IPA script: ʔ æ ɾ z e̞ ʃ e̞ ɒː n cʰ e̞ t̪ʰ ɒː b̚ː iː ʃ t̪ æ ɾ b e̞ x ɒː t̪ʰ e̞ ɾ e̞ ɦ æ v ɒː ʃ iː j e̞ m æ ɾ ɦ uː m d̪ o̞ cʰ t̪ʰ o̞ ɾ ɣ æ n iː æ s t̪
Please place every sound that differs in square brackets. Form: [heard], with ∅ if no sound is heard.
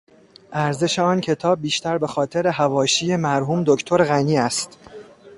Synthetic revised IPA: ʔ æ ɾ z e̞ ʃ e̞ ɒː n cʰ e̞ t̪ʰ ɒː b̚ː iː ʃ t̪ æ ɾ b e̞ x ɒː t̪ʰ e̞ ɾ e̞ ɦ æ v ɒː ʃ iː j e̞ m æ ɾ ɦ uː m d̪ o̞ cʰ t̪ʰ o̞ ɾ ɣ æ n iː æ s t̪